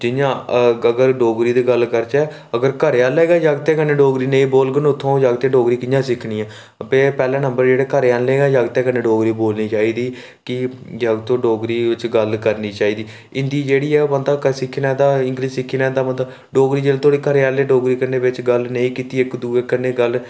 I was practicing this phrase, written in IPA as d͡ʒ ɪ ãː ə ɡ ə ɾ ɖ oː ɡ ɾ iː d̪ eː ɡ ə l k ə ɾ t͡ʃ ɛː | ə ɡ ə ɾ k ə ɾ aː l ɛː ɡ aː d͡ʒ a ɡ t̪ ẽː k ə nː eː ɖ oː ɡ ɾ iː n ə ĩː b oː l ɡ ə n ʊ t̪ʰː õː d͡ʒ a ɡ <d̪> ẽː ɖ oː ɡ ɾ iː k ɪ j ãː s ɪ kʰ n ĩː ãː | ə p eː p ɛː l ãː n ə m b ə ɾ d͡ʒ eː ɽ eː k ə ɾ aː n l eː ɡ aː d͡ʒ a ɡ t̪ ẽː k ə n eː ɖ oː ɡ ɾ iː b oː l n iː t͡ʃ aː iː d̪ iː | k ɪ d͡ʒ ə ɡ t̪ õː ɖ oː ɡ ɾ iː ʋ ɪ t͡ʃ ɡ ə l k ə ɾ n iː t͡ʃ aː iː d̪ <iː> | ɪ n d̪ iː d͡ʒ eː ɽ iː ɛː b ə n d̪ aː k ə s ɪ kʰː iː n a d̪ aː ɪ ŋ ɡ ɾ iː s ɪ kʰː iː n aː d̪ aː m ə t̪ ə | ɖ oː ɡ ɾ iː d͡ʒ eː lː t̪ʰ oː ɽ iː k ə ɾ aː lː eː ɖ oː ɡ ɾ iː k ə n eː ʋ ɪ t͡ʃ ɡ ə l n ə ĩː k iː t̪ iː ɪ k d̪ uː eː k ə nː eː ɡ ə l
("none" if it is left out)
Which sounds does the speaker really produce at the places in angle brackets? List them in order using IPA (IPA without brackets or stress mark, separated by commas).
t̪, iː